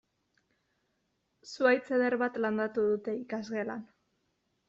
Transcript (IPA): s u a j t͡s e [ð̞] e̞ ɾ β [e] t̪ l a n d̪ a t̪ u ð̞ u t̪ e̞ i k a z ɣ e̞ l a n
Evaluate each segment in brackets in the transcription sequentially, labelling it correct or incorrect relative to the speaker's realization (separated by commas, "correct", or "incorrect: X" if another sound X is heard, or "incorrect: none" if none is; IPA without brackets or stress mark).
correct, incorrect: a